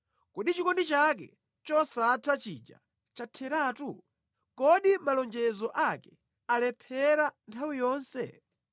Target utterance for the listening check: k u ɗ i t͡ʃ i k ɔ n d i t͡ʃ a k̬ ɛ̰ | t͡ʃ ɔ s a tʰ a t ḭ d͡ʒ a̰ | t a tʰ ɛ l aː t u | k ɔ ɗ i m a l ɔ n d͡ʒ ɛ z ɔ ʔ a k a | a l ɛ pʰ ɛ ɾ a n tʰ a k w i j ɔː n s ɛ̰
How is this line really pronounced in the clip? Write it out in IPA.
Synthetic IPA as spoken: k u ɗ i t͡ʃ i k ɔ n d i t͡ʃ a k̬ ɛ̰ | t͡ʃ ɔ s a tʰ a t͡ʃ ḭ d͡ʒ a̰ | t͡ʃ a tʰ ɛ ɾ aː t u | k ɔ ɗ i m a l ɔ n d͡ʒ ɛ z ɔ ʔ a k ɛ | a l ɛ pʰ ɛ ɾ a n tʰ a w i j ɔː n s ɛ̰